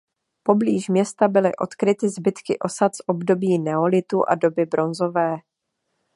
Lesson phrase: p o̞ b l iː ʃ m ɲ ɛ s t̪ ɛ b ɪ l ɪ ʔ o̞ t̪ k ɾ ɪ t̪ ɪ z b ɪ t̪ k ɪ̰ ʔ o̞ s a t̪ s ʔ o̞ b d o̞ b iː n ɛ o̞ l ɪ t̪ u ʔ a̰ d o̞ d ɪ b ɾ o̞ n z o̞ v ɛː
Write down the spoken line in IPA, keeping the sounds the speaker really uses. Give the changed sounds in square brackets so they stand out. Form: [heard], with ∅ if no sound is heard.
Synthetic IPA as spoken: p o̞ b l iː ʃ m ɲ ɛ s t̪ [a] b ɪ l ɪ ʔ o̞ t̪ k ɾ ɪ t̪ ɪ z b ɪ t̪ k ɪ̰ ʔ o̞ s a t̪ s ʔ o̞ b d o̞ b iː n ɛ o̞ l ɪ t̪ u ʔ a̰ d o̞ [b] ɪ b ɾ o̞ n z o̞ v ɛː

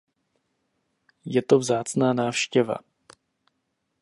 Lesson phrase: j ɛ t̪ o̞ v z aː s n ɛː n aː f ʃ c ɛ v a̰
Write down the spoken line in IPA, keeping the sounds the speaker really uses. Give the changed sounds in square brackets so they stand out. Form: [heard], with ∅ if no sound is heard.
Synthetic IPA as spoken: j ɛ t̪ o̞ v z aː [t͡s] n [aː] n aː f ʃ c ɛ v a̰

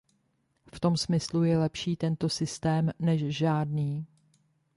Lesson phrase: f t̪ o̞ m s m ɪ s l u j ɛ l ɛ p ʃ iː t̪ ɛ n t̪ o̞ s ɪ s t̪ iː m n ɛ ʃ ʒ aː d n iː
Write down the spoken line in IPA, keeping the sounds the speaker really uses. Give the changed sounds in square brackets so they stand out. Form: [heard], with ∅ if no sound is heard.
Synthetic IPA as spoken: f t̪ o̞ m s m ɪ s l u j ɛ l ɛ p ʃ iː t̪ ɛ n t̪ o̞ s ɪ s t̪ [ɛː] m n ɛ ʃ ʒ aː d n iː

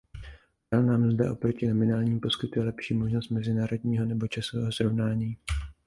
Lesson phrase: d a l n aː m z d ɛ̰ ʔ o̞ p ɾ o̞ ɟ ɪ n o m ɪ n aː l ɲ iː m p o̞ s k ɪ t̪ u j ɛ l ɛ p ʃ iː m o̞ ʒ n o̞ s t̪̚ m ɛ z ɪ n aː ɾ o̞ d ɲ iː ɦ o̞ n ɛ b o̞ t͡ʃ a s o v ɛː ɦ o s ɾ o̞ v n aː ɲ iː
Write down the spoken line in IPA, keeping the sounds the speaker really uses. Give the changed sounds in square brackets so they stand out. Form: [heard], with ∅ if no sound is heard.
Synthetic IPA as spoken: d a l n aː m z d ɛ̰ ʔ o̞ p ɾ o̞ [c] ɪ n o m ɪ n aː l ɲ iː m p o̞ s k ɪ t̪ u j ɛ l ɛ p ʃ iː m o̞ ʒ n o̞ s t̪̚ m ɛ z ɪ n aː ɾ o̞ d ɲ iː ɦ o̞ n ɛ b o̞ t͡ʃ a s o v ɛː ɦ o s ɾ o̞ v n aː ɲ iː

